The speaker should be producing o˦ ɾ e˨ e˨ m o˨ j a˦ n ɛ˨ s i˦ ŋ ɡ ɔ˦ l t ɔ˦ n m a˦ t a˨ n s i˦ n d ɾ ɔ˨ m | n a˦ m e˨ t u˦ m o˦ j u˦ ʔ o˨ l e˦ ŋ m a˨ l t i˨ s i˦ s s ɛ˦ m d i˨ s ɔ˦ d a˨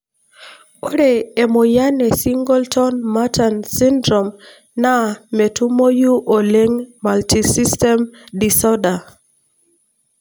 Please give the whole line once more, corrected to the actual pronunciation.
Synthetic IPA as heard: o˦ ɾ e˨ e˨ m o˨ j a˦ n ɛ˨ s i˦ ŋ ɡ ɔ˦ l t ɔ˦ n m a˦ t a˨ n s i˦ n d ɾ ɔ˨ m | n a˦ m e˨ t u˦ m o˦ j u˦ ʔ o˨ l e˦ ŋ m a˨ l t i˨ s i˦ s t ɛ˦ m d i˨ s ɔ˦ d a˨